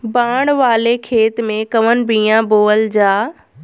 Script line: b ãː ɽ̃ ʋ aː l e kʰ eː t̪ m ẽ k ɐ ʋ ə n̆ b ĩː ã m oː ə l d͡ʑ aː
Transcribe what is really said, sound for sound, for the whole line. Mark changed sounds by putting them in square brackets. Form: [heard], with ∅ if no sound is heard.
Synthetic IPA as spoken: b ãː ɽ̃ ʋ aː l e kʰ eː t̪ m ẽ k ɐ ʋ ə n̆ b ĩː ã [b] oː ə l d͡ʑ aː